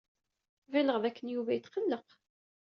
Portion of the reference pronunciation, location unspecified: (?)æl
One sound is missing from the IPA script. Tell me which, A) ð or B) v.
B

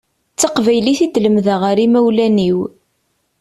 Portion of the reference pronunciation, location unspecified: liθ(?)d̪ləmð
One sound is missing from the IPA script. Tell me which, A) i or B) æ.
A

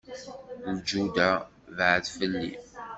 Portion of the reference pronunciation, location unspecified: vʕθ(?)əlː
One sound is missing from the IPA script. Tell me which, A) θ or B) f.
B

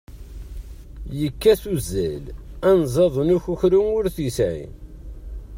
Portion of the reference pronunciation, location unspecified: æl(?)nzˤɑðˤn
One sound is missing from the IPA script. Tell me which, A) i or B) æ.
B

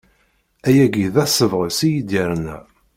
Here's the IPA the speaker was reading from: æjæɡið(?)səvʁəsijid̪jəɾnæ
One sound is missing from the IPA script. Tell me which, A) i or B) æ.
B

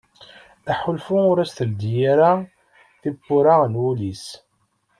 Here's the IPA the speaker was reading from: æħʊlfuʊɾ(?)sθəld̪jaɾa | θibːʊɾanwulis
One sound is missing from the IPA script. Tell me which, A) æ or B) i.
A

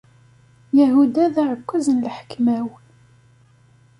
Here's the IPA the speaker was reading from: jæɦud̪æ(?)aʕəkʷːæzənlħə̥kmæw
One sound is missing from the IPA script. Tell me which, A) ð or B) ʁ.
A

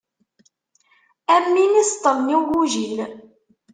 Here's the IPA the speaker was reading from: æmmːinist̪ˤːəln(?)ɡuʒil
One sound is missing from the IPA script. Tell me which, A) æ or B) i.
B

